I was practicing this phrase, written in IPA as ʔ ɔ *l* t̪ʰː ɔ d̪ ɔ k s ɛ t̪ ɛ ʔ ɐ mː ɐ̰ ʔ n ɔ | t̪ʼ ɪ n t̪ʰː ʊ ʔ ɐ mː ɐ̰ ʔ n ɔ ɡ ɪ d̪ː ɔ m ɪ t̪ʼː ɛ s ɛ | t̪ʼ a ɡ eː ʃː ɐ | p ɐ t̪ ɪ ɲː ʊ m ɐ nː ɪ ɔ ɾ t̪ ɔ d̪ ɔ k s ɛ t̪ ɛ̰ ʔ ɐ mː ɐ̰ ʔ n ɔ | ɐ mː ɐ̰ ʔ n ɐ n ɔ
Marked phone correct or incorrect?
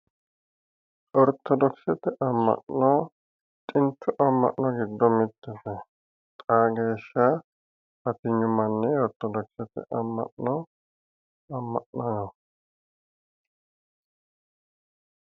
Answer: incorrect: ɾ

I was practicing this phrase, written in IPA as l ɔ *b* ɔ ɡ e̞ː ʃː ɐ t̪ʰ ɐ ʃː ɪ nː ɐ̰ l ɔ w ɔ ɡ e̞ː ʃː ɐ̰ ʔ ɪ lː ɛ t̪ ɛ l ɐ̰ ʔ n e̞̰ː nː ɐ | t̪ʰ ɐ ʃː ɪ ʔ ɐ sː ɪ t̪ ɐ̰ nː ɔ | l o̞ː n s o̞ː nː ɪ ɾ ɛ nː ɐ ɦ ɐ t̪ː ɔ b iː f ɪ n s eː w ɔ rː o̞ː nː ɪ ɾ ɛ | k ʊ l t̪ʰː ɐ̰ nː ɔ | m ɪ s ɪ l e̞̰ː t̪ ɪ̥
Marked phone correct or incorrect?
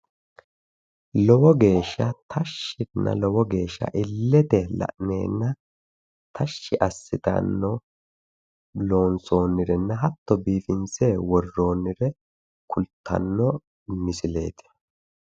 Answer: incorrect: w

